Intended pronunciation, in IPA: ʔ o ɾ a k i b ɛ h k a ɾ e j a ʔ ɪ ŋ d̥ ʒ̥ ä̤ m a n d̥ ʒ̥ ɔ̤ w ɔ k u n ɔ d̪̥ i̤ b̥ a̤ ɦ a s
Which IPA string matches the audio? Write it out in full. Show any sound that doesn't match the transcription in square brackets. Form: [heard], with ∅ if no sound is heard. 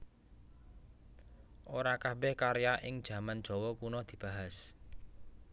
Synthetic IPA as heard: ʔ o ɾ a k [a] b ɛ h k a ɾ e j a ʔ ɪ ŋ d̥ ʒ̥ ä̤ m a n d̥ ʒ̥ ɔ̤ w ɔ k u n ɔ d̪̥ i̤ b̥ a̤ ɦ a s